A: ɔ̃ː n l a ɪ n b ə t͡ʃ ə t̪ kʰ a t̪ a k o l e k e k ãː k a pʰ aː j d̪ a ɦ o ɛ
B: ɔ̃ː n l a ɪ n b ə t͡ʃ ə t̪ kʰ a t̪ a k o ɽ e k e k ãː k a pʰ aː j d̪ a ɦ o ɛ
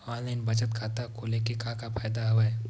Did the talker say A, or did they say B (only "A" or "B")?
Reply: A